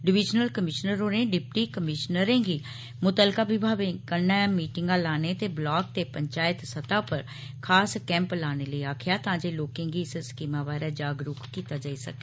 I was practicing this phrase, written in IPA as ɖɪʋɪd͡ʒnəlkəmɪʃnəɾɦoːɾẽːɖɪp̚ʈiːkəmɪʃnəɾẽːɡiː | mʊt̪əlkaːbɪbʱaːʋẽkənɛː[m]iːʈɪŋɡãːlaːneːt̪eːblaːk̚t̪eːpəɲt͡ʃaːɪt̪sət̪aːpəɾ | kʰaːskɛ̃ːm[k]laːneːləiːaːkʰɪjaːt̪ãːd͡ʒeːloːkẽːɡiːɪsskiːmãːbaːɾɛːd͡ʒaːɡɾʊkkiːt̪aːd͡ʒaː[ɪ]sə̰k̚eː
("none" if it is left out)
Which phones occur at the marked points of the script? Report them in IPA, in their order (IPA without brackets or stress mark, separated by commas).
m, p, i